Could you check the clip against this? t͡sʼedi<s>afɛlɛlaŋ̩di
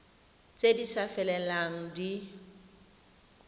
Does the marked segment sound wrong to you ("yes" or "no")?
no